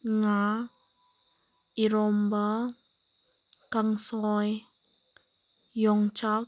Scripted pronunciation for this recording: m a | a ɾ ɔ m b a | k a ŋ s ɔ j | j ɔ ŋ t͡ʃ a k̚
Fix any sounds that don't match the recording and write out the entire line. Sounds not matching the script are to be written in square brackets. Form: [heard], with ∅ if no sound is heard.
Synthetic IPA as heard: [ŋ] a | [i] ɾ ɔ m b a | k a ŋ s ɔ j | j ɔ ŋ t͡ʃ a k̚